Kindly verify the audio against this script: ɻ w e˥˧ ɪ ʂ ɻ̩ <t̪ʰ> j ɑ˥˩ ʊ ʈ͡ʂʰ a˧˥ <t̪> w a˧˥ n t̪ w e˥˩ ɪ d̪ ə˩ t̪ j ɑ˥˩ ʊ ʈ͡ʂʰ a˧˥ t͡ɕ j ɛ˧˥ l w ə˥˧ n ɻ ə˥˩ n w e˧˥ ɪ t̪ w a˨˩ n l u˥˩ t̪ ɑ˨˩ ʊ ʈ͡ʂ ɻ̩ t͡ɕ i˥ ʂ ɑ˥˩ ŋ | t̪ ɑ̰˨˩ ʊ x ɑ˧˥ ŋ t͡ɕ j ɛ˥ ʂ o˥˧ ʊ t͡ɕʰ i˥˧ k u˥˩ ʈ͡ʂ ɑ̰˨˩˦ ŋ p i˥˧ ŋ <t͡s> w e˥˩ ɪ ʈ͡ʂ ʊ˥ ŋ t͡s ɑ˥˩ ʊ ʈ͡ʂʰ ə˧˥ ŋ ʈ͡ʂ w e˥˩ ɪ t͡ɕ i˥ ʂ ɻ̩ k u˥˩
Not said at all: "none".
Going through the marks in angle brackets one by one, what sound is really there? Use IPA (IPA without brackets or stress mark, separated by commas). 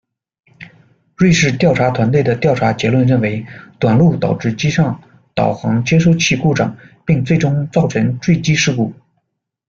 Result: t̪, t̪ʰ, t͡s